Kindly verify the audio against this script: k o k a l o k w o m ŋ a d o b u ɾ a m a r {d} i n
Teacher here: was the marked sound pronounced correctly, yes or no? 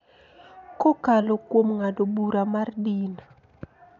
yes